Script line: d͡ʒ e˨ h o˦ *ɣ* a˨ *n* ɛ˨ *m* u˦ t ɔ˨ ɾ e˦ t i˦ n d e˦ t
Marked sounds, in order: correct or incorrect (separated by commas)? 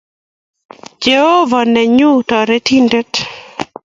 incorrect, correct, incorrect